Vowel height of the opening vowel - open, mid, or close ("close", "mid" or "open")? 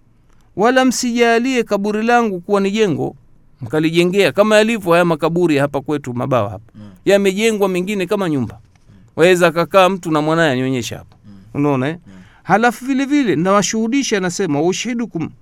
open